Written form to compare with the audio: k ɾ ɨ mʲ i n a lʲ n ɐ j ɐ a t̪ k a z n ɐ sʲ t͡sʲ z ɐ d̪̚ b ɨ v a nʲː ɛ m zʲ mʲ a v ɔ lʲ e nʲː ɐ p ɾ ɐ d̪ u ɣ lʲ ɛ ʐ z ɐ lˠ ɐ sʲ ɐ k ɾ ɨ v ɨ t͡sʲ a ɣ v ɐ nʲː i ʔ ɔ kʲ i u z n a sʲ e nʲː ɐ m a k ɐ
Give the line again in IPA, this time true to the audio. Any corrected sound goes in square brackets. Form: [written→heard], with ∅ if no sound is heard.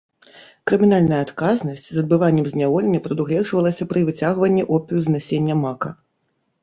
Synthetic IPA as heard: k ɾ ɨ mʲ i n a lʲ n ɐ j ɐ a t̪ k a z n ɐ sʲ t͡sʲ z ɐ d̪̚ b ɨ v a nʲː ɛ m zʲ [mʲ→nʲ] a v ɔ lʲ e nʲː ɐ p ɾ ɐ d̪ u ɣ lʲ ɛ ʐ [z→v] ɐ lˠ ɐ sʲ ɐ [k→p] ɾ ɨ v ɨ t͡sʲ a ɣ v ɐ nʲː i ʔ ɔ [kʲ→pʲ] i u z n a sʲ e nʲː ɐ m a k ɐ